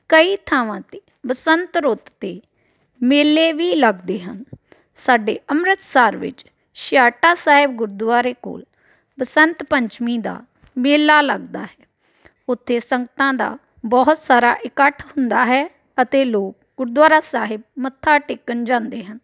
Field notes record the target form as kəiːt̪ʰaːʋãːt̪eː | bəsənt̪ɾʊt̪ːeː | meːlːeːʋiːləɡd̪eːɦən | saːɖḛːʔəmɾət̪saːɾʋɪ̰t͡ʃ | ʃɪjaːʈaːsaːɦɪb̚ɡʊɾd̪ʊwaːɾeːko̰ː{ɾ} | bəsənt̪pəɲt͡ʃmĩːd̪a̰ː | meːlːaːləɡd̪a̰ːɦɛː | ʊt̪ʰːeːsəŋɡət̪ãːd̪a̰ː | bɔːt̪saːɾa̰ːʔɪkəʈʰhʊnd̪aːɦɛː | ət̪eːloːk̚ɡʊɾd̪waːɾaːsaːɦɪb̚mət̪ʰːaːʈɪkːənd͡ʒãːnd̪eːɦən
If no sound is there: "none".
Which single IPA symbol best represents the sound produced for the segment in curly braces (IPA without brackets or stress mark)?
l